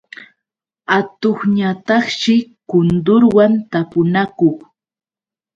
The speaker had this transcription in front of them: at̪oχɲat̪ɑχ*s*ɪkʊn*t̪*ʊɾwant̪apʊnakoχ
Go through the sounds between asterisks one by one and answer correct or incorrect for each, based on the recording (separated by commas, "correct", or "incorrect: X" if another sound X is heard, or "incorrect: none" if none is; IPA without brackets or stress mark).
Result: incorrect: ʃ, incorrect: d̪